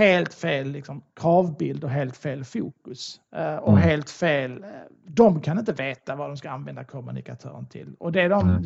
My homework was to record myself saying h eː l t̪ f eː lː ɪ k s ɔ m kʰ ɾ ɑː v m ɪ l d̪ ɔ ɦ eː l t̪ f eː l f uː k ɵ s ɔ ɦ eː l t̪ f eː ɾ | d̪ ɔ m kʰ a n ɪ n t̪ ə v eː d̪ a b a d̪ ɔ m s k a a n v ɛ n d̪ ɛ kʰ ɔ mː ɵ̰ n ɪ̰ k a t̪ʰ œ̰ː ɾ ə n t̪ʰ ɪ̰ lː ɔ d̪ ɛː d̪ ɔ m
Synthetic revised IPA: h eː l t̪ f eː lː ɪ k s ɔ m kʰ ɾ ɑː v b ɪ l d̪ ɔ ɦ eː l t̪ f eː l f uː k ɵ s ɔ ɦ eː l t̪ f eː l | d̪ ɔ m kʰ a n ɪ n t̪ ə v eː t̪ a v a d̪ ɔ m s k a a n v ɛ n d̪ a kʰ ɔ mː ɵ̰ n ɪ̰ k a t̪ʰ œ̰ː ɾ ə n t̪ʰ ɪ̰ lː ɔ d̪ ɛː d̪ ɔ m